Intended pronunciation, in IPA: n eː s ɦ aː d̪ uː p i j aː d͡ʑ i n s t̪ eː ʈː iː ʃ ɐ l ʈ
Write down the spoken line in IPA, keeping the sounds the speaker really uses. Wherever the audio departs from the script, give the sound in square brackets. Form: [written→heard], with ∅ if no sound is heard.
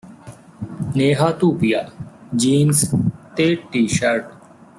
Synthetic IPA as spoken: n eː [s→∅] ɦ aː [d̪→t̪] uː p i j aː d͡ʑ [i→iː] n s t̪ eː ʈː iː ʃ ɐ [l→ɾ] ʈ